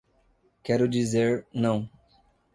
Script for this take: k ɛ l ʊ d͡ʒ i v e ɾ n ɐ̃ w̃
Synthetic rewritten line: k ɛ ɾ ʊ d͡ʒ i z e ɾ n ɐ̃ w̃